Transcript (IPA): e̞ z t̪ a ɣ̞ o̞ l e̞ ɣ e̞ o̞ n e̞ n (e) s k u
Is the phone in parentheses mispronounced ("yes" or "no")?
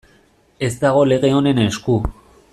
no